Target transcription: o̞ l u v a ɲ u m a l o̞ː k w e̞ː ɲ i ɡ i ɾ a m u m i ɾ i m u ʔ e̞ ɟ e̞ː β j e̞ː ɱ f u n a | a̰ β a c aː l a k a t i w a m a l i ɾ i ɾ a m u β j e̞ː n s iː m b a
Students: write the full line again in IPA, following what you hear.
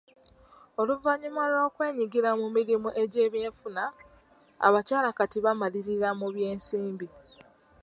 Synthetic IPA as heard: o̞ l u v a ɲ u m a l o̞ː k w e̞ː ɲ i ɡ i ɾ a m u m i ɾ i m u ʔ e̞ ɟ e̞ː β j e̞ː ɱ f u n a | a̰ β a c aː l a k a t i β a m a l i ɾ i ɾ a m u β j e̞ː n s iː m b i